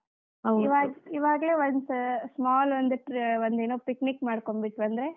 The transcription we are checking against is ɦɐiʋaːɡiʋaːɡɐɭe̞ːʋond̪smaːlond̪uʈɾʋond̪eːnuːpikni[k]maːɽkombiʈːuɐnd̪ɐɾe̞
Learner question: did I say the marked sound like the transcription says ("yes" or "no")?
yes